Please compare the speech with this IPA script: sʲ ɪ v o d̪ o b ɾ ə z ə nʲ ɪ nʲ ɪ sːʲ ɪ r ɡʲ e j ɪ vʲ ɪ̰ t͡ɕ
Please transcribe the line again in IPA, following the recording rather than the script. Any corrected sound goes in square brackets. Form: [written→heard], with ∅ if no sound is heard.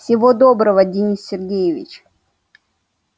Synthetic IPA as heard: sʲ ɪ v o d̪ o b ɾ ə [z→v] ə [nʲ→dʲ] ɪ nʲ [ɪ→i] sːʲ ɪ r ɡʲ e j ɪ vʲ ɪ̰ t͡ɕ